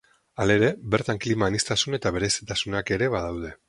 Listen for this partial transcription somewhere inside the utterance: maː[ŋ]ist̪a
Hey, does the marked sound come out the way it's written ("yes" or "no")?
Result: no